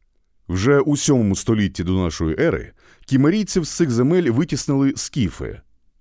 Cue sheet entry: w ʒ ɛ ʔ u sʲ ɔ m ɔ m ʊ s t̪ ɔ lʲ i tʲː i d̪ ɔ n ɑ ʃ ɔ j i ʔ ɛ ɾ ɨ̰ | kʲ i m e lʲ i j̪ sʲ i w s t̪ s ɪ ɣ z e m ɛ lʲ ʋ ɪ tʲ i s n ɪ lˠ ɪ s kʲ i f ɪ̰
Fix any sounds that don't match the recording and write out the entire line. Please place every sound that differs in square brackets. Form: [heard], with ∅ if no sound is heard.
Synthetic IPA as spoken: w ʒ ɛ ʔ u sʲ ɔ m ɔ m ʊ s t̪ ɔ lʲ i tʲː i d̪ ɔ n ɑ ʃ ɔ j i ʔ ɛ ɾ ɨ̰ | kʲ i m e [ɾʲ] i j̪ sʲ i w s t̪ s ɪ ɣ z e m ɛ lʲ ʋ ɪ tʲ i s n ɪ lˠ ɪ s kʲ i f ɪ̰